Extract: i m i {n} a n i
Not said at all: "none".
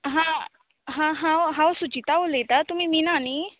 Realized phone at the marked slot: n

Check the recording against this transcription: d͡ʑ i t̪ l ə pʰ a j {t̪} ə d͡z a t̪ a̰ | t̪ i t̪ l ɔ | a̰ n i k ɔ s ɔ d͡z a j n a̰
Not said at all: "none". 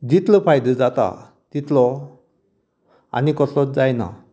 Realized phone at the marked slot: d̪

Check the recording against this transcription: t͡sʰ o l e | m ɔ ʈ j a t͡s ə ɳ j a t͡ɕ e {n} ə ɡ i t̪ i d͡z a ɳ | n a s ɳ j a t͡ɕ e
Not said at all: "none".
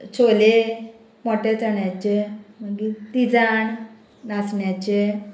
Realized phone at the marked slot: m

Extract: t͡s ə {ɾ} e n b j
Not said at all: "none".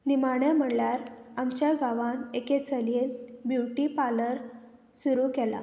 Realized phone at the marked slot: l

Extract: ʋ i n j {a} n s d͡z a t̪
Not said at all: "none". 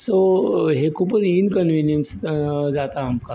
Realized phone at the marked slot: ə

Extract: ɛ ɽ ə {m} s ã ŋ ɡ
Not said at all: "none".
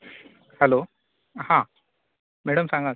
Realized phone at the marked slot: m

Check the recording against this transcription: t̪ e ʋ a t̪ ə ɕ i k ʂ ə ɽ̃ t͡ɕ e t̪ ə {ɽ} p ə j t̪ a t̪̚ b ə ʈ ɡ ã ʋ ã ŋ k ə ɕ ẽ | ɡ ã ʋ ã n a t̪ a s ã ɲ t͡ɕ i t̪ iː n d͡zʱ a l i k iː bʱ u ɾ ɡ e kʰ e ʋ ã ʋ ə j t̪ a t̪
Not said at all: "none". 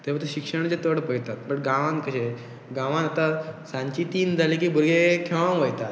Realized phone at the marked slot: ɽ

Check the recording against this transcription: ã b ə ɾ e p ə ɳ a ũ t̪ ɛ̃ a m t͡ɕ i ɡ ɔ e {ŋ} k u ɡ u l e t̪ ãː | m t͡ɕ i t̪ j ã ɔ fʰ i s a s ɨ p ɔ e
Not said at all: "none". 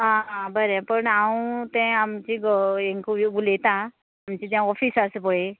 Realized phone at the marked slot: ŋ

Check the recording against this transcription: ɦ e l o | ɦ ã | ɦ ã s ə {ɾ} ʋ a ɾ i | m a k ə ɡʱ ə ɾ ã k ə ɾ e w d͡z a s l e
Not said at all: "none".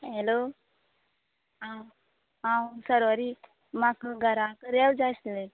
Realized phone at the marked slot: ɾ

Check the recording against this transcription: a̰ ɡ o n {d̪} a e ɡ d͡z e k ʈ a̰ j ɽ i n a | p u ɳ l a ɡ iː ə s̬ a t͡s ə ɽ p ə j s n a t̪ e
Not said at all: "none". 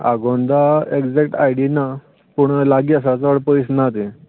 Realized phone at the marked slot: d̪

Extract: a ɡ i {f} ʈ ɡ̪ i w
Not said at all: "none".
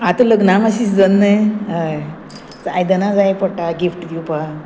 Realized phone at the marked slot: f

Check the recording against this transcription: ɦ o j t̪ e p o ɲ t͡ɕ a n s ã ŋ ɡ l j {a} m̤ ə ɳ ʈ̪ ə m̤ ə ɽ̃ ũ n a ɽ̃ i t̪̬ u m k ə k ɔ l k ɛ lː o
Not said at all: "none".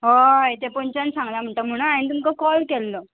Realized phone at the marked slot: a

